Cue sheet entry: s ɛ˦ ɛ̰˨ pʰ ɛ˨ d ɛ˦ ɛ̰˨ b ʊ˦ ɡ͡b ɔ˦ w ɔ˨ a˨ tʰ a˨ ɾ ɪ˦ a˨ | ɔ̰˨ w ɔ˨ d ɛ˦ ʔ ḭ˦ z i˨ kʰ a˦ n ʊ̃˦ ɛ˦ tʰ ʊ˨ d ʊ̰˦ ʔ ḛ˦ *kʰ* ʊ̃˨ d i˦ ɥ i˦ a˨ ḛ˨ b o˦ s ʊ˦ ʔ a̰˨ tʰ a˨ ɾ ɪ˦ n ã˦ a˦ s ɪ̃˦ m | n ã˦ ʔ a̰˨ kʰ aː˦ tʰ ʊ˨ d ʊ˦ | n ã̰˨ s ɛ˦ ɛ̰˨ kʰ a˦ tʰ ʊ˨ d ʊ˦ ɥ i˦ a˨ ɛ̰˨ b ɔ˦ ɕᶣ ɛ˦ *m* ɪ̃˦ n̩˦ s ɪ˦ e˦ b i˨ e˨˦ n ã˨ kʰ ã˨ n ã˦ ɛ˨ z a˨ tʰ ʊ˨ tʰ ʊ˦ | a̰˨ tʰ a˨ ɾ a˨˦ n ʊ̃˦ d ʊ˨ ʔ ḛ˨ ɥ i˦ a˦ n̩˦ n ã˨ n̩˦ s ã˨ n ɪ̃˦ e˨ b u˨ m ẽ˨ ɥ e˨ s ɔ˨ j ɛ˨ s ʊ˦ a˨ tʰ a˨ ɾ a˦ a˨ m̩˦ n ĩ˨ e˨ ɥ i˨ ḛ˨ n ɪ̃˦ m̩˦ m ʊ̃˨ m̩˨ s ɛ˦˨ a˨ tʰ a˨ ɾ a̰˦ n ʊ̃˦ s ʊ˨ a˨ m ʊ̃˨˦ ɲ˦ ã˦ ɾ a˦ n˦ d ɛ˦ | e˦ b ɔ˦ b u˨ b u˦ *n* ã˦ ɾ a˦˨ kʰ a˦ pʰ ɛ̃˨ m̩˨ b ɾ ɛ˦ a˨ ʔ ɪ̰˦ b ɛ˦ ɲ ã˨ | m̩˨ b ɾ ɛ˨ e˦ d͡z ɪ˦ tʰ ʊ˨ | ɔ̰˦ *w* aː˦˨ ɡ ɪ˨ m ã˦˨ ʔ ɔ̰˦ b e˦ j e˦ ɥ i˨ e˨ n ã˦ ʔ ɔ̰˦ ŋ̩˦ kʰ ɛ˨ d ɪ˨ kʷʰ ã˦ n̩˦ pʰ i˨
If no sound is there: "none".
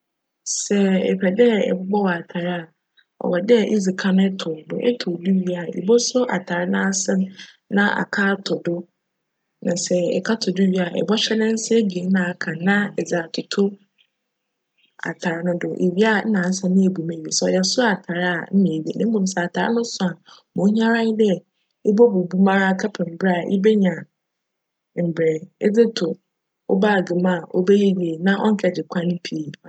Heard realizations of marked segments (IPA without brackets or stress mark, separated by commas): tʰ, n, m, b